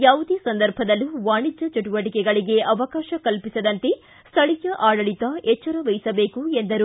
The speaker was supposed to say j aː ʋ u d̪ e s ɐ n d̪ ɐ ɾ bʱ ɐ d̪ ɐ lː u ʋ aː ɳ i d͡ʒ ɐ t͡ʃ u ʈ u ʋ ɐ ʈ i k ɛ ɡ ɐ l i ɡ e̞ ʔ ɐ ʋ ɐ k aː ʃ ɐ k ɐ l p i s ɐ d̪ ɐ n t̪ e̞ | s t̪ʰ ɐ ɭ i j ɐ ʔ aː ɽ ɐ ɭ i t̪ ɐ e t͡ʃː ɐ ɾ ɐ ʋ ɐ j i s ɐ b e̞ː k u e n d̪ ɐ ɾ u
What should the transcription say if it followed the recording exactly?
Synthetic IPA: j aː ʋ u d̪ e s ɐ n d̪ ɐ ɾ bʱ ɐ d̪ ɐ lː u ʋ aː ɳ i d͡ʒ ɐ t͡ʃ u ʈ u ʋ ɐ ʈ i k ɛ ɡ ɐ ɭ i ɡ e̞ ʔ ɐ ʋ ɐ k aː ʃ ɐ k ɐ l p i s ɐ d̪ ɐ n t̪ e̞ | s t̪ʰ ɐ ɭ i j ɐ ʔ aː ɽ ɐ ɭ i t̪ ɐ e t͡ʃː ɐ ɾ ɐ ʋ ɐ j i s ɐ b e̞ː k u e n d̪ ɐ ɾ u

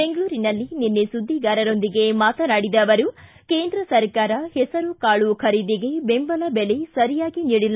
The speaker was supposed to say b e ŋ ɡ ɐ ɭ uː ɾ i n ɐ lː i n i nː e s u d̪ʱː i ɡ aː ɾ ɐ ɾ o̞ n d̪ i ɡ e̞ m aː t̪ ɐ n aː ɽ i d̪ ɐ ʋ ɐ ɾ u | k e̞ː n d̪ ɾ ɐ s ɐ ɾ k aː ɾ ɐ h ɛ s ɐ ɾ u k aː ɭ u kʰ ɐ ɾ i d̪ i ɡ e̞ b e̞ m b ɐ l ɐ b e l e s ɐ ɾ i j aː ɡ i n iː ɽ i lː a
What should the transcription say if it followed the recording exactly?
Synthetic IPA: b e ŋ ɡ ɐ ɭ uː ɾ i n ɐ lː i n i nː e s u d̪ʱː i ɡ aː ɾ ɐ ɾ o̞ n d̪ i ɡ e̞ m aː t̪ ɐ n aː ɽ i d̪ ɐ ʋ ɐ ɾ u | k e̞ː n d̪ ɾ ɐ s ɐ ɾ k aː ɾ ɐ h ɛ s ɐ ɾ u k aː ɭ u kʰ ɐ ɾ i d̪ i ɡ e̞ b e̞ m b ɐ l ɐ b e l e s ɐ ɾ i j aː ɡ i n iː ɽ i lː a

